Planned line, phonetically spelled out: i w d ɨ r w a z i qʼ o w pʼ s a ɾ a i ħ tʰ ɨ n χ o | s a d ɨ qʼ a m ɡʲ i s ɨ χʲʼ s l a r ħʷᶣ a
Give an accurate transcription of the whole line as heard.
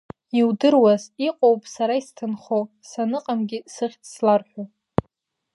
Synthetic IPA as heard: i w d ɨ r w a z i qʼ o w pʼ s a ɾ a i s tʰ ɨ n χ o | s a n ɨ qʼ a m ɡʲ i s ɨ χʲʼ s l a r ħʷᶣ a